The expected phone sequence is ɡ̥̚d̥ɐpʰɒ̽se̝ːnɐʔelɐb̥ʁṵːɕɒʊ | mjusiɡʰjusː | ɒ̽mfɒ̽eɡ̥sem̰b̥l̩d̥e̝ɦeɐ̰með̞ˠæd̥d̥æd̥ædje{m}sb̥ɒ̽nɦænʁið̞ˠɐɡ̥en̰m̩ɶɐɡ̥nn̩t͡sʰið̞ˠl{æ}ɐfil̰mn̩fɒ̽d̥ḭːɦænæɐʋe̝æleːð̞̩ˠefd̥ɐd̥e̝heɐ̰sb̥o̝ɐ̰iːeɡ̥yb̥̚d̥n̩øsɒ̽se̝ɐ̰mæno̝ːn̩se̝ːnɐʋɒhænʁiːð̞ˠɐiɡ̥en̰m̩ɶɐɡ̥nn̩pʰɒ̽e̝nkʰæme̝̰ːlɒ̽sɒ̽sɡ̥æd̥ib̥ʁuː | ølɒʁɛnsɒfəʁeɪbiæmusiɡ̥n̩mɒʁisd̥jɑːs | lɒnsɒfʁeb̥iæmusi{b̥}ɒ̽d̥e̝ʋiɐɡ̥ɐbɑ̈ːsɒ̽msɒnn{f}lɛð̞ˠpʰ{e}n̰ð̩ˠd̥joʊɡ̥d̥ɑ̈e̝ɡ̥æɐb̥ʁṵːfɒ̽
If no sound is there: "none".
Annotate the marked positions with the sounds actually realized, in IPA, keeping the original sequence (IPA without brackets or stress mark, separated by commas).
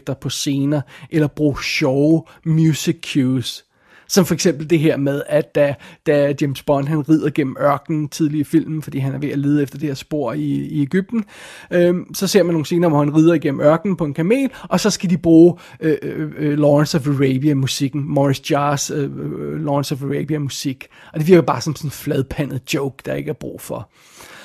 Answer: m, i, ɡ̥, f, æ